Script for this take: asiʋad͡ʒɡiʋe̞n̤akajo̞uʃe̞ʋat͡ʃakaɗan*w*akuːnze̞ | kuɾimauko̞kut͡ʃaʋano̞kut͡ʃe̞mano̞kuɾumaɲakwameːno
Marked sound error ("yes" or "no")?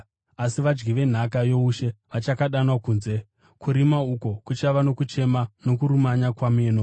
no